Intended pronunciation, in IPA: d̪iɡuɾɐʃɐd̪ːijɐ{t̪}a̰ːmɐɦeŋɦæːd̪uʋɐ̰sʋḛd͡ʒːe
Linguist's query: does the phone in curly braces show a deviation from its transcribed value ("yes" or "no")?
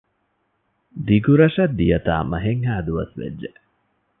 no